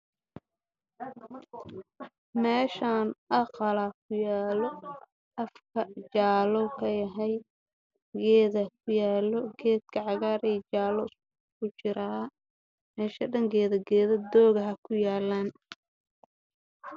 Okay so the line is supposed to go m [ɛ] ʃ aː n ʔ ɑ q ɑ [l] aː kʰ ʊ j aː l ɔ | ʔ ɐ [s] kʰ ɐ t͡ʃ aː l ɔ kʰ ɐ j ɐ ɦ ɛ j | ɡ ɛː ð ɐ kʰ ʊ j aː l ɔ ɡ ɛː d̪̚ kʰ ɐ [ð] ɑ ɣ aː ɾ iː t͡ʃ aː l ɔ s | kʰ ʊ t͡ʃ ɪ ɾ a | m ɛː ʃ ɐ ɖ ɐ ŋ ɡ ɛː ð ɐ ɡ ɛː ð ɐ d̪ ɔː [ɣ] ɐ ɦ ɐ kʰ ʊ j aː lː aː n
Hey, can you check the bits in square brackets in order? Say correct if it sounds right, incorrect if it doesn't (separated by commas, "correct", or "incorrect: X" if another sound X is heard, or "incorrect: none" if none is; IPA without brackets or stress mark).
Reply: incorrect: ɛː, correct, incorrect: f, incorrect: ʕ, correct